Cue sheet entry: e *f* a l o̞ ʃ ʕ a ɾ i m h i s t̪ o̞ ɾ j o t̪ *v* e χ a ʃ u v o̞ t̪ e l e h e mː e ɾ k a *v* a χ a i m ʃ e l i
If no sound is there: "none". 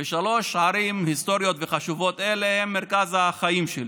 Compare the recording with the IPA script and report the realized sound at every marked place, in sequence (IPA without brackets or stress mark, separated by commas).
ʃ, v, z